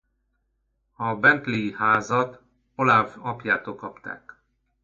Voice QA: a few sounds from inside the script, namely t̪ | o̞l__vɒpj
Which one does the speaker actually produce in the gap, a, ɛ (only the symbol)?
a